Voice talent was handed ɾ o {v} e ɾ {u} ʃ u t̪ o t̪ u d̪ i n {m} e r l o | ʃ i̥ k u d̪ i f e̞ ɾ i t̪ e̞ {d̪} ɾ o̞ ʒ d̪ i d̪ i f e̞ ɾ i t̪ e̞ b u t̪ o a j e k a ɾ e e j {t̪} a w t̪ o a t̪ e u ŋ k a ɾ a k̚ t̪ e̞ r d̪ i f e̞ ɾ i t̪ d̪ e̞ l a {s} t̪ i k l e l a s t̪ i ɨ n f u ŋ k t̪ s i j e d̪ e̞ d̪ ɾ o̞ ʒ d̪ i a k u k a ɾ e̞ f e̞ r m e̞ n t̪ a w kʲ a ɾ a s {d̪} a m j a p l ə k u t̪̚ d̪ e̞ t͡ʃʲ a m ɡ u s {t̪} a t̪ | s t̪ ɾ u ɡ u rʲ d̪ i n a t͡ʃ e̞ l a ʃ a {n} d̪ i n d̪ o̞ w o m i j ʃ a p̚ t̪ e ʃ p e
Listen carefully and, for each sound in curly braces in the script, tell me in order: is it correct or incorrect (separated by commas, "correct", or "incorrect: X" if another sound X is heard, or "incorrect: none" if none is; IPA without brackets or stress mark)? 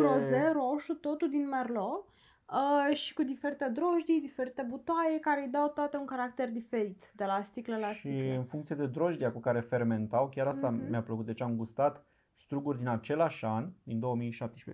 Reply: incorrect: z, incorrect: o, correct, correct, incorrect: d̪, correct, incorrect: t̪, correct, correct